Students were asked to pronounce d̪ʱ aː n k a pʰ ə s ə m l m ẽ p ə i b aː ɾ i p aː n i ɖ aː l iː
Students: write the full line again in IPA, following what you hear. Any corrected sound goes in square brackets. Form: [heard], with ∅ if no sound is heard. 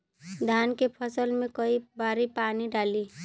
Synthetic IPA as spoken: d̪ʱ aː n k [e] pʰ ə s ə [∅] l m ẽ [k] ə i b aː ɾ i p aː n i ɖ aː l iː